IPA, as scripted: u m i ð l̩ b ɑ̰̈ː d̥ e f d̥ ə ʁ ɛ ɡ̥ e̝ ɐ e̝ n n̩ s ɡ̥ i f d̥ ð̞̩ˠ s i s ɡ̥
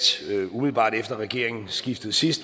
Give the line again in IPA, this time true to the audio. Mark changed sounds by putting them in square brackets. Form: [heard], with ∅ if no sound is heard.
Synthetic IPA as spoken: u m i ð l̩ b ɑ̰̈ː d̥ e f d̥ [ɐ] ʁ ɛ ɡ̥ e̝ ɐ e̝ [ŋ] n̩ s ɡ̥ i f d̥ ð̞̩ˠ s i s [d̥]